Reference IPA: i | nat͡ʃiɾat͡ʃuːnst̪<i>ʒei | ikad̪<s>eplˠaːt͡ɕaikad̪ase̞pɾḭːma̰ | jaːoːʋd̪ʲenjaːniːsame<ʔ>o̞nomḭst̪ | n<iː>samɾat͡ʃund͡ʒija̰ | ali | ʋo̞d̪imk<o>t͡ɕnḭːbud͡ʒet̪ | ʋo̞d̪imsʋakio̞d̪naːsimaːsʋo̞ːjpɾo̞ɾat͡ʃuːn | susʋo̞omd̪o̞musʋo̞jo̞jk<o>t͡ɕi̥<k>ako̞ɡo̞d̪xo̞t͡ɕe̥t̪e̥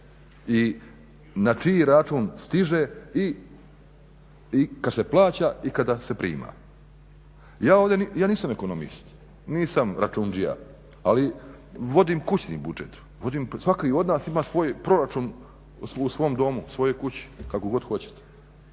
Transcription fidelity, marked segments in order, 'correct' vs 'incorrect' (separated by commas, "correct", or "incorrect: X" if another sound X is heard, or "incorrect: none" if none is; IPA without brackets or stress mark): correct, correct, incorrect: k, correct, incorrect: u, incorrect: u, correct